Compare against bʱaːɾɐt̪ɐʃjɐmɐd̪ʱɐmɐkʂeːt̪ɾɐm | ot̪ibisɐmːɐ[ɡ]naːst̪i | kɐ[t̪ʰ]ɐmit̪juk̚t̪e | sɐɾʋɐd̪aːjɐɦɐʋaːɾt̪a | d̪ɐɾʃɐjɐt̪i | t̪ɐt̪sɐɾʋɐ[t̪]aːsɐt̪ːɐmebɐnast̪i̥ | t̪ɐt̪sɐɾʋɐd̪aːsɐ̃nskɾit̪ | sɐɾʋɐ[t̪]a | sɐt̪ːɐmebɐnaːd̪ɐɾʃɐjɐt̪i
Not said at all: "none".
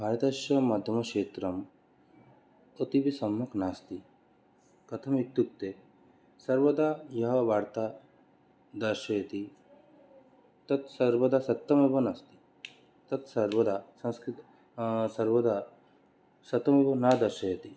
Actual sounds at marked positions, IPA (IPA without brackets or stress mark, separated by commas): k, t̪ʰ, d̪, d̪